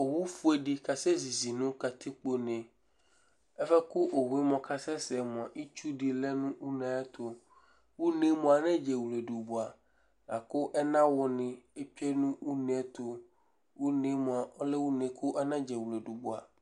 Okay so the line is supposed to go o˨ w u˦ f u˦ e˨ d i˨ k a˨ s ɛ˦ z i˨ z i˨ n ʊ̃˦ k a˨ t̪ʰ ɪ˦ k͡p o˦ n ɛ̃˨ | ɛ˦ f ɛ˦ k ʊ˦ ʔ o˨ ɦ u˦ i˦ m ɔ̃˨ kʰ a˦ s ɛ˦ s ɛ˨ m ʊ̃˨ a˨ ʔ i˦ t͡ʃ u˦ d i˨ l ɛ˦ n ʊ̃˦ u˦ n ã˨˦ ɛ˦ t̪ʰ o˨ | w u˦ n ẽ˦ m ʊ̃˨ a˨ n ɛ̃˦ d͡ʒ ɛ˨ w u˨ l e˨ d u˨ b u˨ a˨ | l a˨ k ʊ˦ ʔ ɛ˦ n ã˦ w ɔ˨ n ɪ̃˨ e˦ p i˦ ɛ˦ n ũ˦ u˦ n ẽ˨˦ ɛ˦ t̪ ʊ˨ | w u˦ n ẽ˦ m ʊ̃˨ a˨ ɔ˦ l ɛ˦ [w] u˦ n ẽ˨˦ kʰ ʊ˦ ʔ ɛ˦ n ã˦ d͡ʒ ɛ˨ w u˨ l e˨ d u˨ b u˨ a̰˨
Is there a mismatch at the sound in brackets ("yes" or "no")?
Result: no